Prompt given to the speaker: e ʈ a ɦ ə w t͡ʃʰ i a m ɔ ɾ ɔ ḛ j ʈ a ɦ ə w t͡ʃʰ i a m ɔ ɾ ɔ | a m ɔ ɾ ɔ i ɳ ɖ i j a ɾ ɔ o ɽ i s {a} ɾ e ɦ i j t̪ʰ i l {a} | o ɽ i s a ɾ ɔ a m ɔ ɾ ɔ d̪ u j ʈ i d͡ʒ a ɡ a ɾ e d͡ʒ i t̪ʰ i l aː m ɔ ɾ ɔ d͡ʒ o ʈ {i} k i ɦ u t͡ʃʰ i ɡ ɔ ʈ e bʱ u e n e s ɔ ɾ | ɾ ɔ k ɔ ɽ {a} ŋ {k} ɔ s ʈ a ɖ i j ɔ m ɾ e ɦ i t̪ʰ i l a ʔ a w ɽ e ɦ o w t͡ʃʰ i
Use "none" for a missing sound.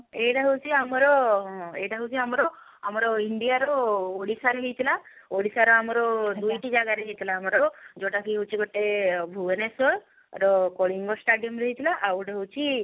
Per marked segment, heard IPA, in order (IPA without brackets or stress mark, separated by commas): a, a, a, i, ɡ